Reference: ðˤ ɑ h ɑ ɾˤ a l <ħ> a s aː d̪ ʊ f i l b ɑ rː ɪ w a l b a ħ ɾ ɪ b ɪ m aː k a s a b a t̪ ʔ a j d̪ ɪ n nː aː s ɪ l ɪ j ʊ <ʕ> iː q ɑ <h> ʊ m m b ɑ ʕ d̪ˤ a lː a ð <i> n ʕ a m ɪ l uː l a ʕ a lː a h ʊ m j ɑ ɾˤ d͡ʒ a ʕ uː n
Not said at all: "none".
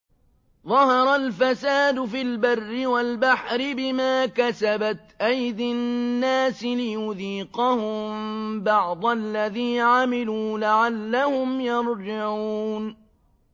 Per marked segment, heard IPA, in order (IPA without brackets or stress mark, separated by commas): f, ð, h, iː